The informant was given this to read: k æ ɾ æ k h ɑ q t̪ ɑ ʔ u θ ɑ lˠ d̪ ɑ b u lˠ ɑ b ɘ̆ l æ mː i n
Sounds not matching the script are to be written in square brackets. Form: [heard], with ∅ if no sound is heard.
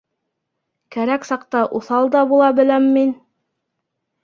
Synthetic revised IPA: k æ ɾ æ k [s] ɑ q t̪ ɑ ʔ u θ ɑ lˠ d̪ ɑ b u lˠ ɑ b ɘ̆ l æ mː i n